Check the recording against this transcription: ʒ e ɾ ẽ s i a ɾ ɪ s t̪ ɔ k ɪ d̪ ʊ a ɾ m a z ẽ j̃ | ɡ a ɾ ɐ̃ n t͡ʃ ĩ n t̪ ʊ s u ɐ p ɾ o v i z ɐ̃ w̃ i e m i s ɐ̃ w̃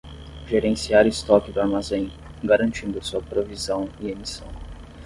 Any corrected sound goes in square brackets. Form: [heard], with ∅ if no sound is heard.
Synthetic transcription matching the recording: ʒ e ɾ ẽ s i a ɾ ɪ s t̪ ɔ k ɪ d̪ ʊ a ɾ m a z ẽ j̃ | ɡ a ɾ ɐ̃ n t͡ʃ ĩ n [d̪] ʊ s u ɐ p ɾ o v i z ɐ̃ w̃ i e m i s ɐ̃ w̃